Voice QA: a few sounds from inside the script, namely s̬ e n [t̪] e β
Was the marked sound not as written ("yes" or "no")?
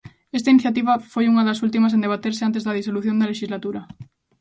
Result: yes